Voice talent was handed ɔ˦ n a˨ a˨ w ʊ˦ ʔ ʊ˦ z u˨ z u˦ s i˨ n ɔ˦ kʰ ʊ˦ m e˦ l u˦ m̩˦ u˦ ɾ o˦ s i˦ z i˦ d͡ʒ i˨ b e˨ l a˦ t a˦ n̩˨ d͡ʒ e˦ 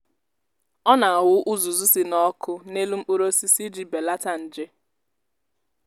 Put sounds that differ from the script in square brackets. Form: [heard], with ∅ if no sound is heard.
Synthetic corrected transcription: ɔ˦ n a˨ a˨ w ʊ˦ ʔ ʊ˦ z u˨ z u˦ s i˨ n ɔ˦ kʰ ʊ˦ [n] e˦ l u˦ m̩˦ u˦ ɾ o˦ s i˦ [s] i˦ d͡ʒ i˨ b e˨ l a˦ t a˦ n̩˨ d͡ʒ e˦